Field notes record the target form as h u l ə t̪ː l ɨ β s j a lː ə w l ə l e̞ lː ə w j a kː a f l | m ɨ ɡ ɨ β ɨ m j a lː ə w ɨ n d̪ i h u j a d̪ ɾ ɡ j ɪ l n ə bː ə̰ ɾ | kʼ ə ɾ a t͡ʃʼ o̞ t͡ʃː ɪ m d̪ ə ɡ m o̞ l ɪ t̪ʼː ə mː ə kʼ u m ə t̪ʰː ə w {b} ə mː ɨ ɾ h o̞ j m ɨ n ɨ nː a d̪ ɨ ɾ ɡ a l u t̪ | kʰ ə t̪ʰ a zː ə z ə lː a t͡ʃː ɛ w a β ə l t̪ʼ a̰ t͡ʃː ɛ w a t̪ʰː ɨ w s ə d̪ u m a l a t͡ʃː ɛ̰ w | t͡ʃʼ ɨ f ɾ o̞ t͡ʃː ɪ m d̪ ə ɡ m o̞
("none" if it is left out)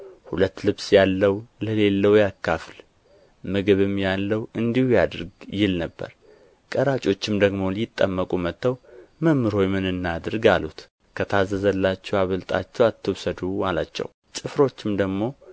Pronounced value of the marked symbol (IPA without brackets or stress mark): m